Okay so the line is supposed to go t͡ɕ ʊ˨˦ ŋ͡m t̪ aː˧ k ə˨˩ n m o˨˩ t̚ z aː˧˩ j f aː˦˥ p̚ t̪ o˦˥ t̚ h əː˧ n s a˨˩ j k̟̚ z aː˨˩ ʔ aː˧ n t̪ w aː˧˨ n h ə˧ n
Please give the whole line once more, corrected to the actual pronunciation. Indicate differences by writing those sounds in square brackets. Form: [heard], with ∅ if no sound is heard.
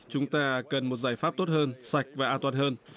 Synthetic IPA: t͡ɕ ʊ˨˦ ŋ͡m t̪ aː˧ k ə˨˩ n m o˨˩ t̚ z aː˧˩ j f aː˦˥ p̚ t̪ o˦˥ t̚ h əː˧ n s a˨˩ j k̟̚ [v] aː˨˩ ʔ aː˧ n t̪ w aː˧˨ n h [əː˧] n